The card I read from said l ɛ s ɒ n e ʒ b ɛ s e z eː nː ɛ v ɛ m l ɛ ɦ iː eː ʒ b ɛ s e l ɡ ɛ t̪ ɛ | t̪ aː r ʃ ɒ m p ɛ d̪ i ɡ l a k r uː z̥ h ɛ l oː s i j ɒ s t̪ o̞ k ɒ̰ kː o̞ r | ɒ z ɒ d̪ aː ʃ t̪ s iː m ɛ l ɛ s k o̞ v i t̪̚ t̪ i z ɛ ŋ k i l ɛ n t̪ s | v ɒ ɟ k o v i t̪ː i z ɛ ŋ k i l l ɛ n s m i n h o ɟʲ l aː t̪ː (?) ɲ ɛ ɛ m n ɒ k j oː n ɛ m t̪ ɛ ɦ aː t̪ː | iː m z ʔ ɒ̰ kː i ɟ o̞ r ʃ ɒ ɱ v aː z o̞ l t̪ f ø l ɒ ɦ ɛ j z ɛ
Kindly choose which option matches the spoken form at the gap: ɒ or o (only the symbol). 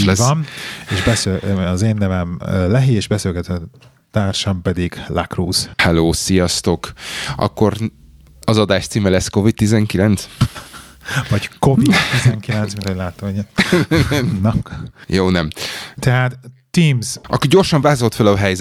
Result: o